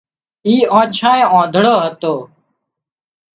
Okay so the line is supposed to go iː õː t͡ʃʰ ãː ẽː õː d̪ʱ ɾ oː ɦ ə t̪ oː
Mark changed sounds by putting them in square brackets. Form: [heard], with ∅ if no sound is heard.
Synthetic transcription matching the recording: iː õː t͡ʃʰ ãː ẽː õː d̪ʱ [ɽ] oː ɦ ə t̪ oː